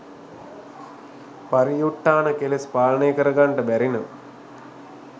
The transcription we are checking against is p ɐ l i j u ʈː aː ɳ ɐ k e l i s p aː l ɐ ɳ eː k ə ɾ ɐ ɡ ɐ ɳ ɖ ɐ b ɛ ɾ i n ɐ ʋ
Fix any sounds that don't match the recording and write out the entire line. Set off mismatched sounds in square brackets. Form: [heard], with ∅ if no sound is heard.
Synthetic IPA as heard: p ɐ [ɾ] i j u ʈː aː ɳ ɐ k e l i s p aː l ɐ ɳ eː k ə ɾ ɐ ɡ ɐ ɳ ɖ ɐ b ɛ ɾ i n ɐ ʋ